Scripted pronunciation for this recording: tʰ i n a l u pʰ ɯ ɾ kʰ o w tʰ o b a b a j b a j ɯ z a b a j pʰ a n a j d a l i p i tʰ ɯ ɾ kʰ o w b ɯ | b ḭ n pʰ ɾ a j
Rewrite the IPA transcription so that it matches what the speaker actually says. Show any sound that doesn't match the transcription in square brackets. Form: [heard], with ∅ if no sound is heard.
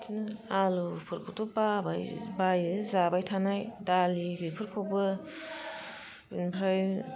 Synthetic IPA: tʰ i n a l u pʰ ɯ ɾ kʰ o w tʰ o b a b a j b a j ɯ z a b a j [tʰ] a n a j d a l i [b] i [pʰ] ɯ ɾ kʰ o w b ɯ | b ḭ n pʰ ɾ a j